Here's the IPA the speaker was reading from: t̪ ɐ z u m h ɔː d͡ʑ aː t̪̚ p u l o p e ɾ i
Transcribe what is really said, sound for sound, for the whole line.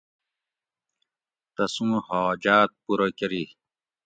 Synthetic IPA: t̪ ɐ s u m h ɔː d͡ʑ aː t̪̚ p u ɾ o k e ɾ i